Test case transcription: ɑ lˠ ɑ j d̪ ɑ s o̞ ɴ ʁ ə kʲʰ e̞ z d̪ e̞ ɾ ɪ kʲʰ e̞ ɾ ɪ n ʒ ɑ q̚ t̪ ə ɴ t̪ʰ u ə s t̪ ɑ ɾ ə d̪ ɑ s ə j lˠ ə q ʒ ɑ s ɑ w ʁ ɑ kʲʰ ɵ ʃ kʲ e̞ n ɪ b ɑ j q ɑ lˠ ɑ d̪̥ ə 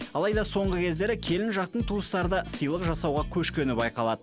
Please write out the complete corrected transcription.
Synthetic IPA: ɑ lˠ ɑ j d̪ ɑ s o̞ ɴ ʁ ə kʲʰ e̞ z d̪ e̞ ɾ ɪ kʲʰ e̞ l ɪ n ʒ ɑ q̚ t̪ ə ɴ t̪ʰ u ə s t̪ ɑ ɾ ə d̪ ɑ s ə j lˠ ə q ʒ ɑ s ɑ w ʁ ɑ kʲʰ ɵ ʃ kʲ e̞ n ɪ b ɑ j q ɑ lˠ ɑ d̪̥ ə

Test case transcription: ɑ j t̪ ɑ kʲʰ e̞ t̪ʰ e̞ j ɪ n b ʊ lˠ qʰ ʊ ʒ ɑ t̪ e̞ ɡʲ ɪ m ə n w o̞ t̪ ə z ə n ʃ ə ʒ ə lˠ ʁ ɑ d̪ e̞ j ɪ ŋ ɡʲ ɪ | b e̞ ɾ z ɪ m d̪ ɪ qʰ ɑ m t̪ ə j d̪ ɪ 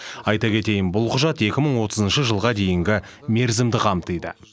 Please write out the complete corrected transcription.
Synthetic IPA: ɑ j t̪ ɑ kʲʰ e̞ t̪ e̞ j ɪ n b ʊ lˠ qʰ ʊ ʒ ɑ t̪ e̞ kʲ ɪ m ə ɴ w o̞ t̪ ə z ə n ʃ ə ʒ ə lˠ ʁ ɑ d̪ e̞ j ɪ ŋ ɡʲ ɪ | m e̞ ɾ z ɪ m d̪ ɪ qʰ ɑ m t̪ ə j d̪ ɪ

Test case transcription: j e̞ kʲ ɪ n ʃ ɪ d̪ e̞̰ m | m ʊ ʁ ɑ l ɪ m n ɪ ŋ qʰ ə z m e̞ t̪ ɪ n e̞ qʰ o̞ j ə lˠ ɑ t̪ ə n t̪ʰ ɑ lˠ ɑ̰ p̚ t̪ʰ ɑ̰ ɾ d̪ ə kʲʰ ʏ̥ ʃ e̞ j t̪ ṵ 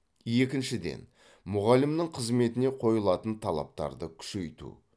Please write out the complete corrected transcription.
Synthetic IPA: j e̞ kʲ ɪ n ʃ ɪ d̪ e̞̰ n | m ʊ ʁ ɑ l ɪ m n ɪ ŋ qʰ ə z m e̞ t̪ ɪ n e̞ qʰ o̞ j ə lˠ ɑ t̪ ə n t̪ʰ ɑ lˠ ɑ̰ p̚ t̪ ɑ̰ ɾ d̪ ə kʲʰ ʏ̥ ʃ e̞ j t̪ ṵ

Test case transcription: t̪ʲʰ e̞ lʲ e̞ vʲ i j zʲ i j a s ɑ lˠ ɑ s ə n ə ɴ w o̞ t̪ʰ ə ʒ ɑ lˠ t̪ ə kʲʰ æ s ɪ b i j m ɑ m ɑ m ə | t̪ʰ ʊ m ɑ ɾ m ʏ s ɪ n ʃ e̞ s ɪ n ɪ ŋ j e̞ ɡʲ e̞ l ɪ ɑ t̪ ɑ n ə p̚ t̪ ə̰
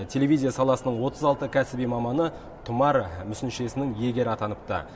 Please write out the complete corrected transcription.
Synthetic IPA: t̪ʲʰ e̞ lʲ e̞ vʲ i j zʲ i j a s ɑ lˠ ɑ s ə n ə ɴ w o̞ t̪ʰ ə z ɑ lˠ t̪ ə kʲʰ æ s ɪ b i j m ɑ m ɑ n ə | t̪ʰ ʊ m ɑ ɾ m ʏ s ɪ n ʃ e̞ s ɪ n ɪ ŋ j e̞ ɡʲ e̞ ɾ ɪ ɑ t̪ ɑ n ə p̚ t̪ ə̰

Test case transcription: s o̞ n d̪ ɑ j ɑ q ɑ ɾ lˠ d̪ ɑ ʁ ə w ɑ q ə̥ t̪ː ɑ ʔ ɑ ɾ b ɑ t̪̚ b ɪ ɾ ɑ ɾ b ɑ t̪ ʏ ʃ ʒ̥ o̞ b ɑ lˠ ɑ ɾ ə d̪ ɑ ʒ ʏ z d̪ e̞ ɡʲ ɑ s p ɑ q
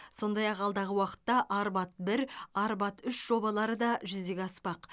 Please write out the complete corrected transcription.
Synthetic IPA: s o̞ n d̪ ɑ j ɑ q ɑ lˠ d̪ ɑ ʁ ə w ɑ q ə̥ t̪ː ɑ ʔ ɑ ɾ b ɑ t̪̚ b ɪ ɾ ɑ ɾ b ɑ t̪ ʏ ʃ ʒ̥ o̞ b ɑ lˠ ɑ ɾ ə d̪ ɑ ʒ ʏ z d̪ e̞ ɡʲ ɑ s p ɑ q

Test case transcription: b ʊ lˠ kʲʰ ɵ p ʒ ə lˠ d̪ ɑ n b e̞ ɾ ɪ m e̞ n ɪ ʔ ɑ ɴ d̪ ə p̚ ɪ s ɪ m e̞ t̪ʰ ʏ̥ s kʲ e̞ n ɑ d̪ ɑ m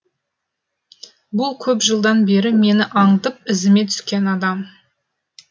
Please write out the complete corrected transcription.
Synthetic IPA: b ʊ lˠ kʲʰ ɵ p ʒ ə lˠ d̪ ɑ n b e̞ ɾ ɪ m e̞ n ɪ ʔ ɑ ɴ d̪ ə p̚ ɪ z ɪ m e̞ t̪ʰ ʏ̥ s kʲ e̞ n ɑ d̪ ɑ m

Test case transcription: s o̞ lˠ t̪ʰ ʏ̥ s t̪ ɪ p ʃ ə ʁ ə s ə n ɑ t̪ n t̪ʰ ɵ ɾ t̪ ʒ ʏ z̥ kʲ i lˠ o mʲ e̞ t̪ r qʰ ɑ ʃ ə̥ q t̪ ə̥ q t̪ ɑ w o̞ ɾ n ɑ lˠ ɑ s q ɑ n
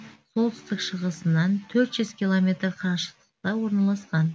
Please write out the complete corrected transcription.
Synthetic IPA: s o̞ lˠ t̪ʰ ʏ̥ s t̪ ɪ k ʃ ə ʁ ə s ə n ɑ n t̪ʰ ɵ ɾ t̪ ʒ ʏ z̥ kʲ i lˠ o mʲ e̞ t̪ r qʰ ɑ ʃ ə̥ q t̪ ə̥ q t̪ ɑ w o̞ ɾ n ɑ lˠ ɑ s q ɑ n

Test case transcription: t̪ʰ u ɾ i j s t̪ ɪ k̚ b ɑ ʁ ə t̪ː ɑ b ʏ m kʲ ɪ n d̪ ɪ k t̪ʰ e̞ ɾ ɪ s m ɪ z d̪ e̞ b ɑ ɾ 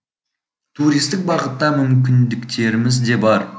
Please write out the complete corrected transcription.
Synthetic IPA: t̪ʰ u ɾ i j s t̪ ɪ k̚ b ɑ ʁ ə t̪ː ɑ m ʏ m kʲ ɪ n d̪ ɪ k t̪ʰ e̞ ɾ ɪ m ɪ z d̪ e̞ b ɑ ɾ

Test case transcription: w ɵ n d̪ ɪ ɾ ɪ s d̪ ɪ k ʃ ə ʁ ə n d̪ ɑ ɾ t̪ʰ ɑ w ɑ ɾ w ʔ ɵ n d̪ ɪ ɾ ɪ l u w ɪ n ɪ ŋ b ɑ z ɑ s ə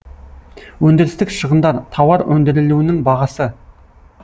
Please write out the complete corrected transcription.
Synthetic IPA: w ɵ n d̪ ɪ ɾ ɪ s t̪ ɪ k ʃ ə ʁ ə n d̪ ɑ ɾ t̪ʰ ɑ w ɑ ɾ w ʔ ɵ n d̪ ɪ ɾ ɪ l u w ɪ n ɪ ŋ b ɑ ʁ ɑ s ə

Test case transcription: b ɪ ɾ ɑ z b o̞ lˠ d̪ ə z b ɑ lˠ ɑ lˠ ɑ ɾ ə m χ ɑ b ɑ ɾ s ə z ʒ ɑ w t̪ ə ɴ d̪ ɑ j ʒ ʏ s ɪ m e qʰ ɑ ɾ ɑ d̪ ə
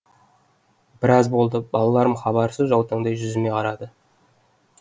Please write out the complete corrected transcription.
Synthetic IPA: b ɪ ɾ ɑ z b o̞ lˠ d̪ ə b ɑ lˠ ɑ lˠ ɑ ɾ ə m χ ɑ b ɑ ɾ s ə z ʒ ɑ w t̪ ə ɴ d̪ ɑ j ʒ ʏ z ɪ m e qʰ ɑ ɾ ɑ d̪ ə

